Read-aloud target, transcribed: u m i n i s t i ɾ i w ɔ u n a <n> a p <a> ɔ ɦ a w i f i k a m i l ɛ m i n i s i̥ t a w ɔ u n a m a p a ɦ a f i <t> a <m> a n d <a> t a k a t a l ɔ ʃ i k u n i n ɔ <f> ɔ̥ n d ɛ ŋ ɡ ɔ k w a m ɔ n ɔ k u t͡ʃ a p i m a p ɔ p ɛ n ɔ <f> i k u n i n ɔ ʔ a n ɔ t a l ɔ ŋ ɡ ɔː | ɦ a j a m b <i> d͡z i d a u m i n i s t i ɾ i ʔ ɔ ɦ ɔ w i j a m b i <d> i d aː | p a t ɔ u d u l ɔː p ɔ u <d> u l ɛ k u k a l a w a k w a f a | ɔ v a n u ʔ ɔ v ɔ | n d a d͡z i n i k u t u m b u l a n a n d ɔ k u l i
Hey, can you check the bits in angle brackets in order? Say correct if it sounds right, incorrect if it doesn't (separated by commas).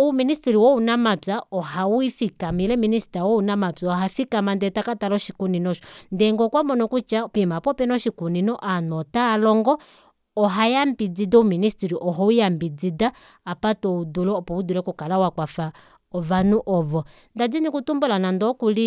incorrect, correct, incorrect, correct, incorrect, incorrect, incorrect, correct, incorrect, correct